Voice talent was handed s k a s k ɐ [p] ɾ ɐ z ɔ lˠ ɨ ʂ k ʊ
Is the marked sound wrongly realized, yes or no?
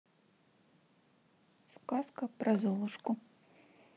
no